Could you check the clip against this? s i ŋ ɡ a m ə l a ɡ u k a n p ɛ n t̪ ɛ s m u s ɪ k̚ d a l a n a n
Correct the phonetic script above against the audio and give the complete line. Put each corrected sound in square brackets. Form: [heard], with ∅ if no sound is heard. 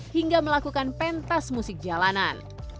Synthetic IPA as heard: [h] i ŋ ɡ a m ə l a [k] u k a n p ɛ n t̪ [a] s m u s ɪ k̚ [d͡ʒ] a l a n a n